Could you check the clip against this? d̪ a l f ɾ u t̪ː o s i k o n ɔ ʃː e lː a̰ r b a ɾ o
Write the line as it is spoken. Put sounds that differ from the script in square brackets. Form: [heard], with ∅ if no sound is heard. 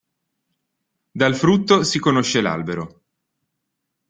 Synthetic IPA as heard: d̪ a l f ɾ u t̪ː o s i k o n [o] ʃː e [l] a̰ [l] b [e] ɾ o